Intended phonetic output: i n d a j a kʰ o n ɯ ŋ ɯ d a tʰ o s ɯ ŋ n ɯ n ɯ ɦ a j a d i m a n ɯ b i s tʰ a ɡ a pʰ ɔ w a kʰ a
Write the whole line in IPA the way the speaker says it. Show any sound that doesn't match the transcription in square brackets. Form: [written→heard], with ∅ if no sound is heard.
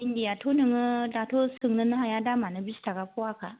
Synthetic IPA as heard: i n d [a→i] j a [kʰ→tʰ] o n ɯ ŋ ɯ d a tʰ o s ɯ ŋ n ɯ n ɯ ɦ a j a d [i→a] m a n ɯ b i s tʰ a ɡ a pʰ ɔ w a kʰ a